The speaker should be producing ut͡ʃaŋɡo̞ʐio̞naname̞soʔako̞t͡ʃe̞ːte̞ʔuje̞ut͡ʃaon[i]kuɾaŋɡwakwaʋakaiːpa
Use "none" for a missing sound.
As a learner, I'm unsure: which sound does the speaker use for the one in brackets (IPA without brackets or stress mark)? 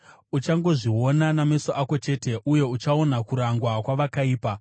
a